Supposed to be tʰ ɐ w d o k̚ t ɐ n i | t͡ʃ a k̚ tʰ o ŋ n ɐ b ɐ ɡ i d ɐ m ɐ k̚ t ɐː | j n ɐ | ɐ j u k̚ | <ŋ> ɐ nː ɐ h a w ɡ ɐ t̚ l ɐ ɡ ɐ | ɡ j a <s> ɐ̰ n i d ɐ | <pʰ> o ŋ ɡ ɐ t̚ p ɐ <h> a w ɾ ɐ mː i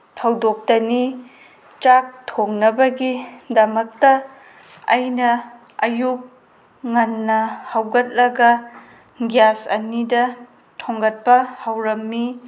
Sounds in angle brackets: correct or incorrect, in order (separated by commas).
correct, correct, incorrect, correct